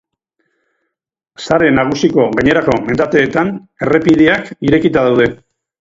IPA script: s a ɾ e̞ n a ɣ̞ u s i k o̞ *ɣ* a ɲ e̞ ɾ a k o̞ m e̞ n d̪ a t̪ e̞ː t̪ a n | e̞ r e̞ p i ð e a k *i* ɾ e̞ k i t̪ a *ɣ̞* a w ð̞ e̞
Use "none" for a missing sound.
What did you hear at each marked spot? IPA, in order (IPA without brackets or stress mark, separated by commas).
ɣ, i, ð̞